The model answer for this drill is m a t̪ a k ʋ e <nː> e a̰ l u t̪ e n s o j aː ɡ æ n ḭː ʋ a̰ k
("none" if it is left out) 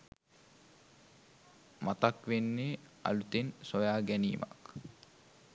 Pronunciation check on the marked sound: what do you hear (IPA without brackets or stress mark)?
nː